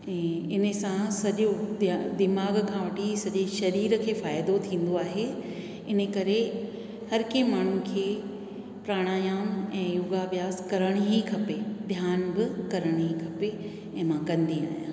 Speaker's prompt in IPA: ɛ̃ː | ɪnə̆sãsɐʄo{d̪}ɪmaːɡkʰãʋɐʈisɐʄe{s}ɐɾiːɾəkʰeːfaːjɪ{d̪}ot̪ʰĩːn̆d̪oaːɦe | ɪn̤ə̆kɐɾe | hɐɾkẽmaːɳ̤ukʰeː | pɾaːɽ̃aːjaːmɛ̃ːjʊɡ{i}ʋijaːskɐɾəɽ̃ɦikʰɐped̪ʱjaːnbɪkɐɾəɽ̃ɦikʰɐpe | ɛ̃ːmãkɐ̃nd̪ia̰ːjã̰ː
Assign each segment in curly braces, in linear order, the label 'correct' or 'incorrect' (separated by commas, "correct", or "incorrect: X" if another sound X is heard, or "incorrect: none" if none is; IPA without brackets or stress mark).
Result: correct, incorrect: ʃ, correct, incorrect: a